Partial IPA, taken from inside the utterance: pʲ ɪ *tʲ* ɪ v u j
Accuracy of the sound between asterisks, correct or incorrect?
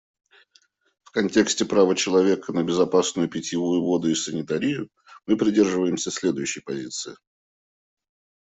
correct